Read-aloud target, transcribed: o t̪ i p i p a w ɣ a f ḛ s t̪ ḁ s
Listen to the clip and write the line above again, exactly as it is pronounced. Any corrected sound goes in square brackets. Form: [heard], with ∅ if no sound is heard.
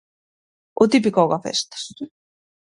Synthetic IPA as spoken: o t̪ i p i [k] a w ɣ a f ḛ s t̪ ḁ s